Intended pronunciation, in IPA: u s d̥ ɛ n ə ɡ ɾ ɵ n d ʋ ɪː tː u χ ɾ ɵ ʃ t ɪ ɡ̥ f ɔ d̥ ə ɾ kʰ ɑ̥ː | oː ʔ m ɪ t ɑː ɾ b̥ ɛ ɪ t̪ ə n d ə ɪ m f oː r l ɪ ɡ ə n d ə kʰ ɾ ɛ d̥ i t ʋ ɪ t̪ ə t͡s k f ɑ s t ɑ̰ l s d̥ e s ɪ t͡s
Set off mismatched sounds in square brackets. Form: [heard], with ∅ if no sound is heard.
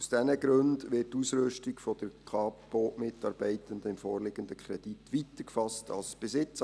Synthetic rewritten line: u s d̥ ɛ n ə ɡ ɾ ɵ n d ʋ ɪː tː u [s] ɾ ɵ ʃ t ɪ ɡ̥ f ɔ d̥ ə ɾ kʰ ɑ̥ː | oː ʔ m ɪ t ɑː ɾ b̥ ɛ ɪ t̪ ə n d ə ɪ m f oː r l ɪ ɡ ə n d ə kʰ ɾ ɛ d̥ i t ʋ [i] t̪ ə [∅] k f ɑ s t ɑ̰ l s [b̥] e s ɪ t͡s